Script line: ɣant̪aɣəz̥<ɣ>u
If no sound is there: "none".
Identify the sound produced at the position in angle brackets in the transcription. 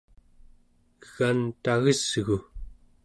ɣ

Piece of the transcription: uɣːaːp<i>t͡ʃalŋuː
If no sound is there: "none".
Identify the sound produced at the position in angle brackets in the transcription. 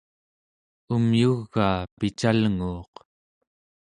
i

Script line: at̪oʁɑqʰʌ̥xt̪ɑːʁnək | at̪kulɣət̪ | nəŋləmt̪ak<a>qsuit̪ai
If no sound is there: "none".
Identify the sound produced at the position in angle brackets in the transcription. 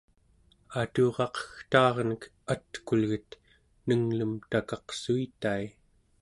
ɑ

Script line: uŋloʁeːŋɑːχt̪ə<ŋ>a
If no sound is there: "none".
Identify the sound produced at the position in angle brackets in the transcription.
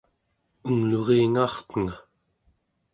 ŋ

